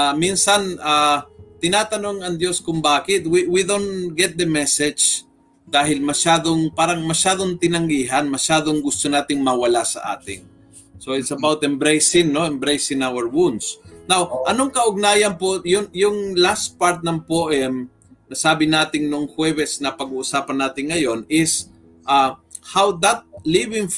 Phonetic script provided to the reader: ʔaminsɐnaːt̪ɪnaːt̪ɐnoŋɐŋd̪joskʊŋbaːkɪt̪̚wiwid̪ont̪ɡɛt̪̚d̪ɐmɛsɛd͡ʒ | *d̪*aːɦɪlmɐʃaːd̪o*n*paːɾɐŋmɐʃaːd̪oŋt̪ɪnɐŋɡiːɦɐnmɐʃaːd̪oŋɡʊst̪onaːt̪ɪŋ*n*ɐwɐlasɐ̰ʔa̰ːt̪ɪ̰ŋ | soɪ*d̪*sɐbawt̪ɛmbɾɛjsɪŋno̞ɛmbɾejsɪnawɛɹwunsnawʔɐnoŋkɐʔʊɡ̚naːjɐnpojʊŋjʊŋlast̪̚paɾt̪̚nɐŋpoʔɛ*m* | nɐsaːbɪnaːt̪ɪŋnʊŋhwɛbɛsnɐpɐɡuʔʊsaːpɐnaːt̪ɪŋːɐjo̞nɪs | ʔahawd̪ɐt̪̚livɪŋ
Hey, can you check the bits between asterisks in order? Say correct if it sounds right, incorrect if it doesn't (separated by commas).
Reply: correct, incorrect, incorrect, incorrect, correct